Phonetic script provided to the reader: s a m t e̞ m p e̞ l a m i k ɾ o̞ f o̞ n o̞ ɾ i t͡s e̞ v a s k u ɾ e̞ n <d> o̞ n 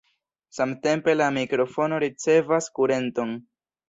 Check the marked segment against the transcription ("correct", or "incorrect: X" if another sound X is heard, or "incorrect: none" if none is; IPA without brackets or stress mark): incorrect: t